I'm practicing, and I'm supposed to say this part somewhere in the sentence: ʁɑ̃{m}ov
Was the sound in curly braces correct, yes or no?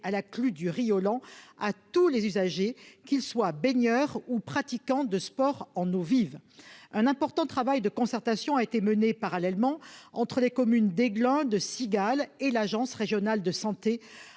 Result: no